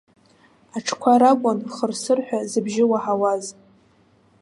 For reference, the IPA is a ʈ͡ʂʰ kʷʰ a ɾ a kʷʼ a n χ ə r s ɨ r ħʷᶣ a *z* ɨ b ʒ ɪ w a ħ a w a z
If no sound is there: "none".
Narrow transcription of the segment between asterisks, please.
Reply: z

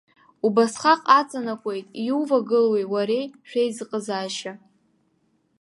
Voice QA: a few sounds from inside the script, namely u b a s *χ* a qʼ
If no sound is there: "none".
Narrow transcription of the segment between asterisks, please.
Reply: χ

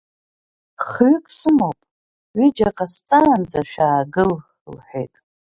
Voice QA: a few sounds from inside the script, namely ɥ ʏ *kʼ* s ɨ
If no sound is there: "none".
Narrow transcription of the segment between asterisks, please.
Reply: kʼ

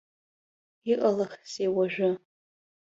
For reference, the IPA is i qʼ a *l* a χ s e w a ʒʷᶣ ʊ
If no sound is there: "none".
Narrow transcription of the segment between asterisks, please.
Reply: l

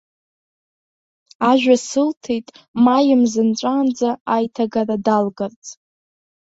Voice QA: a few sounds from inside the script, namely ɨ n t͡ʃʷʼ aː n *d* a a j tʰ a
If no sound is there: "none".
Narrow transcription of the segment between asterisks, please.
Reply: d͡z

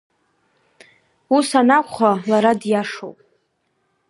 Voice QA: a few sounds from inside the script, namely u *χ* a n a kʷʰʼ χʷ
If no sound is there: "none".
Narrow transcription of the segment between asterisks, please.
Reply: s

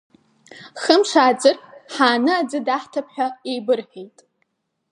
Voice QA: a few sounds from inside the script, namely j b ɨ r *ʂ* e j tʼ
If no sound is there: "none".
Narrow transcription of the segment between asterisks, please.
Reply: ħ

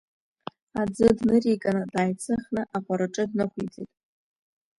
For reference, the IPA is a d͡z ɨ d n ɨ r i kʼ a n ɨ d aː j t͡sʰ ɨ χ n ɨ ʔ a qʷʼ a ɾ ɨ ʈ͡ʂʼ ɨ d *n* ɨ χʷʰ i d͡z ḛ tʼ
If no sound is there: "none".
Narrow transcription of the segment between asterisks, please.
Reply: n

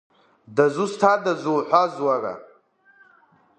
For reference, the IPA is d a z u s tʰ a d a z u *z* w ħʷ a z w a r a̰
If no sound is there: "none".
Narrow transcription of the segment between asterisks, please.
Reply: none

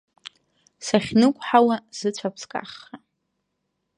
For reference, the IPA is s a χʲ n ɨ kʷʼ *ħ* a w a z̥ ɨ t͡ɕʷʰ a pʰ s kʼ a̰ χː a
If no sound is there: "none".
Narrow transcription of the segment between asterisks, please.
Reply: ħ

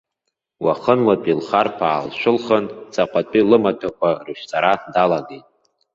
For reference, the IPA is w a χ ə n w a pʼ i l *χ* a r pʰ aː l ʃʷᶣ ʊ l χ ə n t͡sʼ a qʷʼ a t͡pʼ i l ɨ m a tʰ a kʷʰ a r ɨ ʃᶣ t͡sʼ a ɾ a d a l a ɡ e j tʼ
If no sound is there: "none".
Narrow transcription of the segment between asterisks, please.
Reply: χ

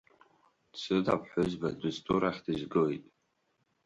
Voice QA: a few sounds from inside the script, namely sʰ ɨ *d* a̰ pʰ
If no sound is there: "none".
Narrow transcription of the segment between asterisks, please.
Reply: d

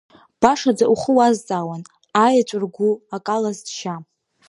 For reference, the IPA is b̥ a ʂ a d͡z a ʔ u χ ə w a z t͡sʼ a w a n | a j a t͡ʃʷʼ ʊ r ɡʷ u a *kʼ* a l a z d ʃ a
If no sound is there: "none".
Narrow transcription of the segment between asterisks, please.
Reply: kʼ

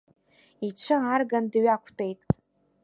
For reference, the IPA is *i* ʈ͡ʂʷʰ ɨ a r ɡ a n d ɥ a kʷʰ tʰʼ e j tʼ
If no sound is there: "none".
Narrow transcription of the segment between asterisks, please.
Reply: i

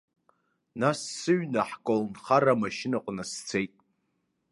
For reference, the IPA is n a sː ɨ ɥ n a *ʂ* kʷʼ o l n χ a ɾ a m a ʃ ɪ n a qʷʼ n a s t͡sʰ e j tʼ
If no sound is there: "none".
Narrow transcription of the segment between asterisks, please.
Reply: ħ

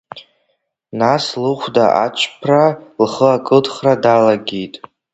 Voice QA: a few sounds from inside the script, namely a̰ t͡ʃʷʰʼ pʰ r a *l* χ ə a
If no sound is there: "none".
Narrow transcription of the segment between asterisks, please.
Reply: l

